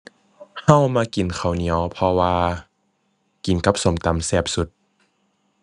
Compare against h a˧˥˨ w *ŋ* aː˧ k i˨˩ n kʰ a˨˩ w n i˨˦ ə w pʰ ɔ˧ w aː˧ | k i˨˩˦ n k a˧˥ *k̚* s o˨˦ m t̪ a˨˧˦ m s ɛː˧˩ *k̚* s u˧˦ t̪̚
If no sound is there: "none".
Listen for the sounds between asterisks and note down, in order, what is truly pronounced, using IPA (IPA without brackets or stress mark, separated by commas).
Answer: m, p̚, p̚